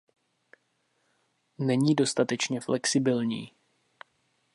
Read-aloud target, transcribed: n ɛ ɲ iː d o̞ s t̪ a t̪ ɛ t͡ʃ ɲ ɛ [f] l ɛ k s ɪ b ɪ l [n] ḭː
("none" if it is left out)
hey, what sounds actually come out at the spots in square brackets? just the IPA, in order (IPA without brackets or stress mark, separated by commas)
f, ɲ